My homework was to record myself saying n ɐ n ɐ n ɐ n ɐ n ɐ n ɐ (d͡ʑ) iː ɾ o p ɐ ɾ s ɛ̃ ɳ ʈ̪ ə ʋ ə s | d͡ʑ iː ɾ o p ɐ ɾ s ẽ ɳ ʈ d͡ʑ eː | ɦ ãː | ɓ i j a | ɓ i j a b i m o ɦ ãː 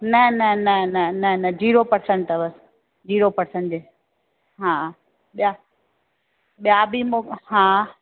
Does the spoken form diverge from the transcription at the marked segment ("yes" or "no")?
no